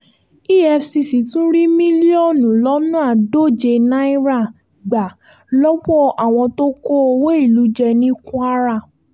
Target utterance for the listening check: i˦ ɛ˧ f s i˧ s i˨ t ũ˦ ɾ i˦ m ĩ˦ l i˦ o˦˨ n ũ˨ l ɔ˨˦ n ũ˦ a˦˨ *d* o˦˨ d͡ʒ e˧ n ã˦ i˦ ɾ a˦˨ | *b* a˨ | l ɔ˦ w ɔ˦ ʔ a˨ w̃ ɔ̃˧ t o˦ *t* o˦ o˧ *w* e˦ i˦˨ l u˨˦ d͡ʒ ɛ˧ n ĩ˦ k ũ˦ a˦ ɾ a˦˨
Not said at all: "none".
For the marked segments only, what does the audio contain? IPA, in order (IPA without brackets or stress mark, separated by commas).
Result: d, ɡ͡b, k, w